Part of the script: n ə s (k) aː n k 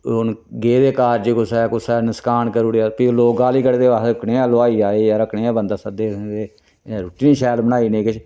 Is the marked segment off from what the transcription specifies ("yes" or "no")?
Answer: no